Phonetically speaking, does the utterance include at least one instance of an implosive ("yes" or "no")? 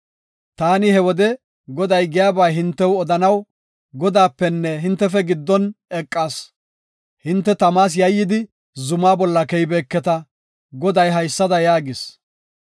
no